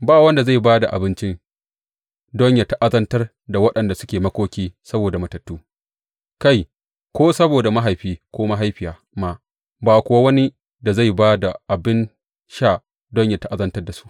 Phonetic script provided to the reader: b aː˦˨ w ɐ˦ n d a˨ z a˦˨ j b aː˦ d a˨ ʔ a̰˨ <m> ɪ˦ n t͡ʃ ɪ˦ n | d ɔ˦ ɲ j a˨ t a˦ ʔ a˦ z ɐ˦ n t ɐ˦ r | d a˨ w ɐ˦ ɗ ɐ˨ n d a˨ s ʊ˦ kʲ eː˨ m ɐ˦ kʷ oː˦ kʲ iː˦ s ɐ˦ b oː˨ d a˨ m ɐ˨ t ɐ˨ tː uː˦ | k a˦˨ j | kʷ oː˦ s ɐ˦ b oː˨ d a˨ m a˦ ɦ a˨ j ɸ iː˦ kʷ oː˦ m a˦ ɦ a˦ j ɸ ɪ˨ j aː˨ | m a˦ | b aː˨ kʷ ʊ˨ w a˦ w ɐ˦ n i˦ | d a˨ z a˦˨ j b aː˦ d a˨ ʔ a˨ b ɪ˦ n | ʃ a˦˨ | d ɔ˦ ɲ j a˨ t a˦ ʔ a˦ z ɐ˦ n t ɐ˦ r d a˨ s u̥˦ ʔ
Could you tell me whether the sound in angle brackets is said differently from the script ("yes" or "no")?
yes